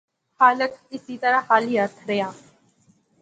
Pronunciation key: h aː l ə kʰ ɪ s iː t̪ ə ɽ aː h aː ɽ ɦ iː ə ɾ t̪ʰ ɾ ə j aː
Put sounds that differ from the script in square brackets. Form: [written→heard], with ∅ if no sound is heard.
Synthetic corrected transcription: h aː l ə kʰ ɪ s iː t̪ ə [ɽ→ɾ] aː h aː [ɽ→l] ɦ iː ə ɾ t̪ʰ ɾ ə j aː